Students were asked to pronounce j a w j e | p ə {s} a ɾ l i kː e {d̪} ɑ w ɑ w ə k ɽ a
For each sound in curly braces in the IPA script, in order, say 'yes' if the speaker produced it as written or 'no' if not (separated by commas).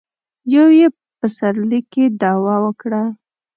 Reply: yes, yes